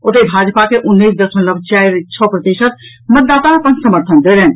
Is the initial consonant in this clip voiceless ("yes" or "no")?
yes